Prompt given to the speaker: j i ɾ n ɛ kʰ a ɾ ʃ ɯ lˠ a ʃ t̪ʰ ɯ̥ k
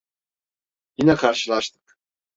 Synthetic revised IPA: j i n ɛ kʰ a ɾ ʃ ɯ lˠ a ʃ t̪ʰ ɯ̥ k